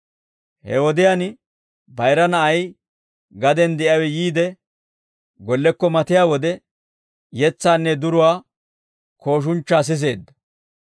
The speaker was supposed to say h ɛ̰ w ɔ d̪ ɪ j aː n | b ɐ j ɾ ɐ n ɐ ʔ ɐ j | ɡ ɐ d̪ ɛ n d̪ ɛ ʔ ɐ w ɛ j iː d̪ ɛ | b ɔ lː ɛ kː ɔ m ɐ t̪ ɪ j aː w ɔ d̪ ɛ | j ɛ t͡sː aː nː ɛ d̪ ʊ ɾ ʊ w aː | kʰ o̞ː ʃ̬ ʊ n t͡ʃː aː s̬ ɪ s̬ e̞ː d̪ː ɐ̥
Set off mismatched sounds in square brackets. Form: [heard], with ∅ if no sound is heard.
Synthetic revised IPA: h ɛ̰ w ɔ d̪ ɪ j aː n | b ɐ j ɾ ɐ n ɐ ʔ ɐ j | ɡ ɐ d̪ ɛ n d̪ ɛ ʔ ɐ w ɛ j iː d̪ ɛ | [ɡ] ɔ lː ɛ kː ɔ m ɐ t̪ ɪ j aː w ɔ d̪ ɛ | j ɛ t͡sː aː nː ɛ d̪ ʊ ɾ ʊ w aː | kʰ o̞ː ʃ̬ ʊ n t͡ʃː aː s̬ ɪ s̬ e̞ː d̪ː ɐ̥